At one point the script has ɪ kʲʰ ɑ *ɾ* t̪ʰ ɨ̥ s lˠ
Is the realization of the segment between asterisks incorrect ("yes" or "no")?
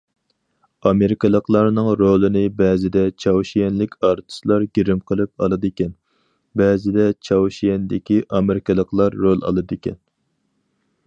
no